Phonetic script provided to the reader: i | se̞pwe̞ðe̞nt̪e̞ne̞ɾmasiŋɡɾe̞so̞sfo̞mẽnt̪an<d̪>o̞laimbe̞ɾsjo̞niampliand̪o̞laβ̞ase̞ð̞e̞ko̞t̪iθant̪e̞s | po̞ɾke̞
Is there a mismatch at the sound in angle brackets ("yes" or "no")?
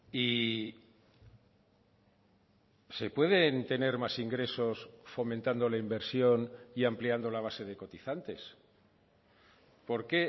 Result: no